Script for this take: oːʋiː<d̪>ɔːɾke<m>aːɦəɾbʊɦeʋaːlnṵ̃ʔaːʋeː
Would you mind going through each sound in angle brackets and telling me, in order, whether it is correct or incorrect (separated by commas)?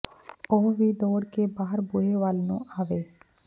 correct, incorrect